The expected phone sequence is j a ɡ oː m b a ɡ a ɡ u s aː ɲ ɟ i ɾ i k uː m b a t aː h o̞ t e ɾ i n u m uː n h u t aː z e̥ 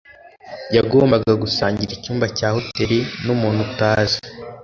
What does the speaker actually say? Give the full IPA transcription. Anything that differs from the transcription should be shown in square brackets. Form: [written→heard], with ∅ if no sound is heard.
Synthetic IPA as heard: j a ɡ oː m b a ɡ a ɡ u s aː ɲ ɟ i ɾ i [k→c] uː m b a [t→c] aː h o̞ t e ɾ i n u m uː n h u t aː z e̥

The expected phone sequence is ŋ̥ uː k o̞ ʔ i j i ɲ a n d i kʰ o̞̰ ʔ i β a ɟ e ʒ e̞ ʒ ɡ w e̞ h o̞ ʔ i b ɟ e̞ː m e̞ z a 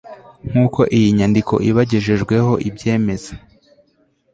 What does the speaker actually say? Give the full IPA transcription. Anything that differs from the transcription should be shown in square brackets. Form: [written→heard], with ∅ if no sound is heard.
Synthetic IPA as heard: ŋ̥ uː k o̞ ʔ i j i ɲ a n d i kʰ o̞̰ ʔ i β a ɟ e ʒ e̞ ʒ ɡ w e̞ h o̞ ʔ i b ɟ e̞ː m e̞ z a

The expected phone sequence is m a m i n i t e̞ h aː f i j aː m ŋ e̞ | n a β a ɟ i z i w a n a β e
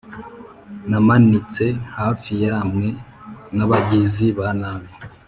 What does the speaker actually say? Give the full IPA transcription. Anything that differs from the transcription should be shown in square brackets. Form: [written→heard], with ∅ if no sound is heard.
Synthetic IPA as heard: [m→n] a m [i→a] n i [t→t͡s] e̞ h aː f i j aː m ŋ e̞ | n a β a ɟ i z i [w→β] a n a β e

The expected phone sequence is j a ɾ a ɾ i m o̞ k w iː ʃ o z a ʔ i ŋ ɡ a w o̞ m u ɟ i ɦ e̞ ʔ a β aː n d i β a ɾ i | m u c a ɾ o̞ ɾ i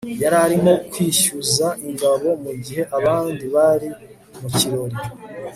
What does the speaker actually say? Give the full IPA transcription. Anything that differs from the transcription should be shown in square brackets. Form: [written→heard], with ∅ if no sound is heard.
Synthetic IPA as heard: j a ɾ a ɾ i m o̞ k w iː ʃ [o→u] z a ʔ i ŋ ɡ a [w→β] o̞ m u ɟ i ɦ e̞ ʔ a β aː n d i β a ɾ i | m u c [a→i] ɾ o̞ ɾ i

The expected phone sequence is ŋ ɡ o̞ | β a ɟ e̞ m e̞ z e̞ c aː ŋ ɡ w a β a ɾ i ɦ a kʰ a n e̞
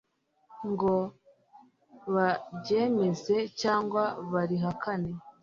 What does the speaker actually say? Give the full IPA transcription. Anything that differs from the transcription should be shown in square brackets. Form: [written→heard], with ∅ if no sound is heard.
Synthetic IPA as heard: ŋ ɡ o̞ | β a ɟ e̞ m e̞ z e̞ c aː ŋ ɡ w a β a ɾ i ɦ a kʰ a n e̞

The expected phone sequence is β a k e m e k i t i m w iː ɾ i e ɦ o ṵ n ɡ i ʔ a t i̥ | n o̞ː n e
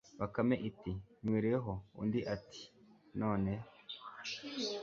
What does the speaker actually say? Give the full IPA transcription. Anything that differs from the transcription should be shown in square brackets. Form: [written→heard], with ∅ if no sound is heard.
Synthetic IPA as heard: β a k [e→a] m e [k→ʔ] i t i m w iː ɾ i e ɦ o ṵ n [ɡ→d] i ʔ a t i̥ | n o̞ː n e

